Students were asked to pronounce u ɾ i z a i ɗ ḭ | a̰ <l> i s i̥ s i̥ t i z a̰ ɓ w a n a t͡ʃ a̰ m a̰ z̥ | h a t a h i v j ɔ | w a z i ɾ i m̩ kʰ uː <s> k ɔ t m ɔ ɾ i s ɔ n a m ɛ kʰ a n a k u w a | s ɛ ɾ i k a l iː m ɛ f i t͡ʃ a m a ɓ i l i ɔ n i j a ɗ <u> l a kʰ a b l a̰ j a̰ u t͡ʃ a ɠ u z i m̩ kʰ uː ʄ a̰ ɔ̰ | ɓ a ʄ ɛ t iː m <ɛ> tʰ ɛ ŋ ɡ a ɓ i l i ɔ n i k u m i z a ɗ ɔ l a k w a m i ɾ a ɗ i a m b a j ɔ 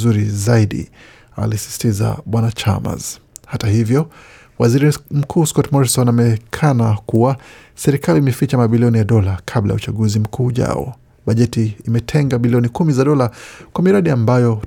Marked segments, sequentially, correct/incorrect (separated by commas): correct, correct, incorrect, correct